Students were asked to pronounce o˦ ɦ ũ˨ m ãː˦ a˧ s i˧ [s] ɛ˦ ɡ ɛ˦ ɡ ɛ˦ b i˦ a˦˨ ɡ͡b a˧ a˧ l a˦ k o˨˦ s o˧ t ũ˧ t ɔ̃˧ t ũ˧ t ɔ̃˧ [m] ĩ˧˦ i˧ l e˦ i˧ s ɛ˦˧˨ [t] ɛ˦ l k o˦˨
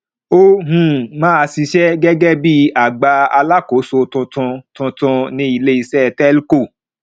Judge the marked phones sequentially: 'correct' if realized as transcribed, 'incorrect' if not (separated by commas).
incorrect, incorrect, correct